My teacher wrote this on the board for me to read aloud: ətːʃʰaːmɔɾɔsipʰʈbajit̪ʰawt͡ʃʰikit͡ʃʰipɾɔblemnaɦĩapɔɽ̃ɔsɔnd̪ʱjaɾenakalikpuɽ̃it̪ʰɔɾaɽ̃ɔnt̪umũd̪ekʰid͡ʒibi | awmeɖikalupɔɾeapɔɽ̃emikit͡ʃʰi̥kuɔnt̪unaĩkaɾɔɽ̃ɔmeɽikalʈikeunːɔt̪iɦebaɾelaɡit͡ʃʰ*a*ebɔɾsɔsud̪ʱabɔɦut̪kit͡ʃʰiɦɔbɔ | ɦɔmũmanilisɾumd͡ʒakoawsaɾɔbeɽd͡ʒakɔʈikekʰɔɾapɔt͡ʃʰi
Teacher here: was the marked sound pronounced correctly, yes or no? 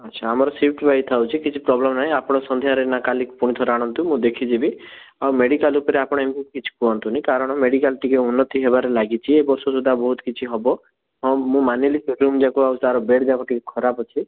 no